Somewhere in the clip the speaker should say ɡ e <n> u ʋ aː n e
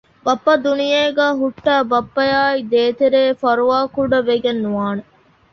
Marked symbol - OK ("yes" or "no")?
no